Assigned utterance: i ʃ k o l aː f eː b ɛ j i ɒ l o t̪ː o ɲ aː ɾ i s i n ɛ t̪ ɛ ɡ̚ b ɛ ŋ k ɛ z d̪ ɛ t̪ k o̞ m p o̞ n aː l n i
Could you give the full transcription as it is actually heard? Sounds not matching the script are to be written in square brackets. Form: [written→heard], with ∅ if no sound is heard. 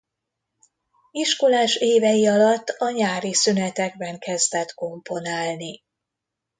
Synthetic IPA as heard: i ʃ k o l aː [f→ʃ] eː [b→v] ɛ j i ɒ l [o→ɒ] t̪ː [o→ɒ] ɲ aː ɾ i s [i→y] n ɛ t̪ ɛ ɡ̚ b ɛ ŋ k ɛ z d̪ ɛ t̪ k o̞ m p o̞ n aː l n i

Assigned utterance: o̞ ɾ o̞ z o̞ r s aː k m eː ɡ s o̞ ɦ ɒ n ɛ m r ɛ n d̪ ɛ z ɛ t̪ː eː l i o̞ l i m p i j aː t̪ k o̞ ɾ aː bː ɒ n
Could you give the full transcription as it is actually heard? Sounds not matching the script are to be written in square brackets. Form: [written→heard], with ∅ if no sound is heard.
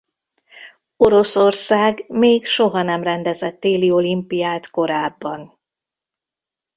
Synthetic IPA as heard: o̞ ɾ o̞ [z→s] o̞ r s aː [k→ɡ] m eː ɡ [s→ʃ] o̞ ɦ ɒ n ɛ m r ɛ n d̪ ɛ z ɛ t̪ː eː l i o̞ l i m p i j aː t̪ k o̞ ɾ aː bː ɒ n

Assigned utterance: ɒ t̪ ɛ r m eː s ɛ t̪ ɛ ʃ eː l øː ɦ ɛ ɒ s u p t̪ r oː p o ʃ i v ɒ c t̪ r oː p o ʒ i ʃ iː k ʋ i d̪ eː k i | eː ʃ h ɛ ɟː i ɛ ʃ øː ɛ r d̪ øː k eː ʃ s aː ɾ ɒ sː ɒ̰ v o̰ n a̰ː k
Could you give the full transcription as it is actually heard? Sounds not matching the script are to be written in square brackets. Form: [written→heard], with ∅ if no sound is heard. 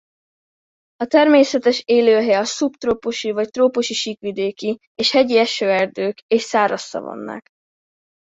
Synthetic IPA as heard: ɒ t̪ ɛ r m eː s ɛ t̪ ɛ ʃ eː l øː ɦ ɛ ɒ s u p t̪ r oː p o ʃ i v ɒ c t̪ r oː p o [ʒ→ʃ] i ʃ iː k ʋ i d̪ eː k i | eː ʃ h ɛ [ɟː→ɟ] i ɛ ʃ øː ɛ r d̪ øː k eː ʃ s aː ɾ ɒ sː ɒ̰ v o̰ [n→nː] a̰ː k

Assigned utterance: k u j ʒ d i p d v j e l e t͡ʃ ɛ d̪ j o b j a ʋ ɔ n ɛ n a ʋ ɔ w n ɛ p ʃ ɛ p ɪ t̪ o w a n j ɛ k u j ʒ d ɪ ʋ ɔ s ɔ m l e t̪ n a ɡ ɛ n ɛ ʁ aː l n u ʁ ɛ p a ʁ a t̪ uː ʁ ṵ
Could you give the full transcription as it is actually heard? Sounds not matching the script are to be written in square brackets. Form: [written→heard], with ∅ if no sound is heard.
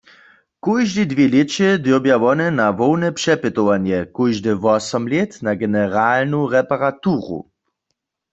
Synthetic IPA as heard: k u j ʒ d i [p→∅] d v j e l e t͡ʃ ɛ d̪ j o b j a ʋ ɔ n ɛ n a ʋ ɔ w n ɛ p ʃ ɛ p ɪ t̪ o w a n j ɛ k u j ʒ d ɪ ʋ ɔ s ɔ m l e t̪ n a ɡ ɛ n ɛ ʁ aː l n u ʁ ɛ p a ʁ a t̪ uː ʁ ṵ

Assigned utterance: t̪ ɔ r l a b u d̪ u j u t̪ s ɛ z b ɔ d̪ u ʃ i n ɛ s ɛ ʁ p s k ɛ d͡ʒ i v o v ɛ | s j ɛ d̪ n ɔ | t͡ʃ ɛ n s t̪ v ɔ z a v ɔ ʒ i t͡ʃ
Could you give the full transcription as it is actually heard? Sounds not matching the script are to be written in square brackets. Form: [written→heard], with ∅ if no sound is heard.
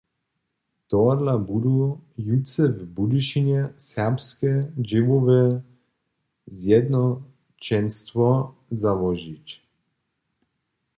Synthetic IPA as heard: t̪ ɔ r l a b u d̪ u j u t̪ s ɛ [z→v] b [ɔ→u] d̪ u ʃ i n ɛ s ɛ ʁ p s k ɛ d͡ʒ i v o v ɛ | [s→z] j ɛ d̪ n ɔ | t͡ʃ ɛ n s t̪ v ɔ z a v ɔ ʒ i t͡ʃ

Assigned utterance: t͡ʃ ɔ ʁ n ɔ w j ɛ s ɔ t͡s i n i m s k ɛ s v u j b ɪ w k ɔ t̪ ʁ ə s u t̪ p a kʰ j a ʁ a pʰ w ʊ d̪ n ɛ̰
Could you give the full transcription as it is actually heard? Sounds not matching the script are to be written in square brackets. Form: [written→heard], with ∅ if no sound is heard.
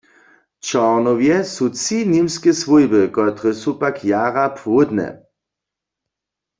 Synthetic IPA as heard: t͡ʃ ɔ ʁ n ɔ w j ɛ s [ɔ→u] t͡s i n i m s k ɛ s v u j b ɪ [w→∅] k ɔ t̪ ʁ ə s u [t̪→∅] p a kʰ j a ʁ a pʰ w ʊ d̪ n ɛ̰

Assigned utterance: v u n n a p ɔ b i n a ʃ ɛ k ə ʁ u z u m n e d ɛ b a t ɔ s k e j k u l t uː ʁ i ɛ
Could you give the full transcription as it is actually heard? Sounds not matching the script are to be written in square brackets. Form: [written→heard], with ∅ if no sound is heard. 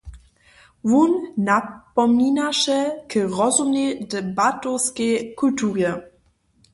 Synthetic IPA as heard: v u n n a p ɔ [b→m] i n a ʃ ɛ k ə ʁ [u→ɔ] z u m n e d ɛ b a t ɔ s k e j k u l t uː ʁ [i→j] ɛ

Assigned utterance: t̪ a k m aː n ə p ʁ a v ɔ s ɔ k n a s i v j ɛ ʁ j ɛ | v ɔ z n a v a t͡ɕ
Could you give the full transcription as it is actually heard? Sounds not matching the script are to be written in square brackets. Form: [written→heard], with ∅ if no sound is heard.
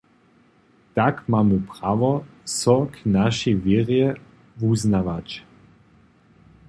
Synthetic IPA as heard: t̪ a k m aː [n→m] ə p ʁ a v ɔ s ɔ k n a [s→ʃ] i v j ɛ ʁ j ɛ | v [ɔ→u] z n a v a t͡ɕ

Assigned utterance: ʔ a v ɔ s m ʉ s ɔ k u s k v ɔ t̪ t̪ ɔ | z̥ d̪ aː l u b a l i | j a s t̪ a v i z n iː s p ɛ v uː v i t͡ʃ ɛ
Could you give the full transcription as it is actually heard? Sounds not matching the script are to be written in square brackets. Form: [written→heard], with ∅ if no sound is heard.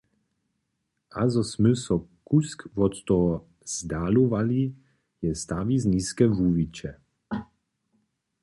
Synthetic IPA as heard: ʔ a [v→z] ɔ s m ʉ s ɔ k u s k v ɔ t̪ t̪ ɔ | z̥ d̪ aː l u [b→v] a l i | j [a→ɛ] s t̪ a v i z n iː s [p→k] ɛ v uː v i t͡ʃ ɛ

